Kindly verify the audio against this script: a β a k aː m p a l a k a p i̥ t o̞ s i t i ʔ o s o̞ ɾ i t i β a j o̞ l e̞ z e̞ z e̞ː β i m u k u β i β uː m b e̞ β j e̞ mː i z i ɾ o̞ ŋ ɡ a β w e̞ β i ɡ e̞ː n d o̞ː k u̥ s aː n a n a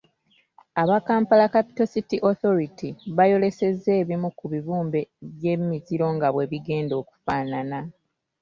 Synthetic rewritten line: a β a k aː m p a l a k a p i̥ t o̞ s i t i ʔ o θ o̞ ɾ i t i β a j o̞ l e̞ s e̞ z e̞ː β i m u k u β i β uː m b e̞ β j e̞ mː i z i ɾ o̞ ŋ ɡ a β w e̞ β i ɡ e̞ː n d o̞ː k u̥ f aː n a n a